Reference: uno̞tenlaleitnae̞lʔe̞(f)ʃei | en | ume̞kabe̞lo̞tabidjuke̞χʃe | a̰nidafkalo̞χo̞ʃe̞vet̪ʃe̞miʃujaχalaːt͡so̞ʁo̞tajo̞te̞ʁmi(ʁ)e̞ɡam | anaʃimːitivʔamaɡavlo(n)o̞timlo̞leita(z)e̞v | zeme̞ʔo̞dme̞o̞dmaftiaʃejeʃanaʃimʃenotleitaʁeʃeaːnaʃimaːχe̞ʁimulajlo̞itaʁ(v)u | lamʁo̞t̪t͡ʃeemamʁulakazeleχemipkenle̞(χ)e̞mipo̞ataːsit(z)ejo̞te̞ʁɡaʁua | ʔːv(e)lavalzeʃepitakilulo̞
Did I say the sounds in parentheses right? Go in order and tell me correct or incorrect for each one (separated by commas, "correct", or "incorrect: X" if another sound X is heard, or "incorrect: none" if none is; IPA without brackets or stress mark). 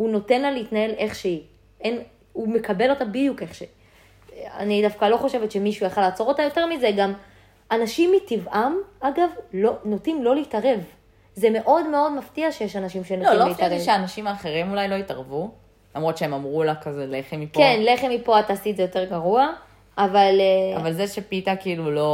incorrect: χ, incorrect: z, correct, incorrect: ʁ, correct, correct, correct, incorrect: a